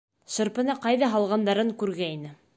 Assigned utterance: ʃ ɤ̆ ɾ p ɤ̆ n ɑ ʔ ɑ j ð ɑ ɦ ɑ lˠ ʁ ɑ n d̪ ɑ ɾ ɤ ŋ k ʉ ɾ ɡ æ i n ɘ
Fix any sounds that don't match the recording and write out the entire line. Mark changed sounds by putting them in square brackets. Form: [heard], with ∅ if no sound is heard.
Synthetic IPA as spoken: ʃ ɤ̆ ɾ p ɤ̆ n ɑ [q] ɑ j ð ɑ ɦ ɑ lˠ ʁ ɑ n d̪ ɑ ɾ ɤ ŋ k ʉ ɾ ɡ æ i n ɘ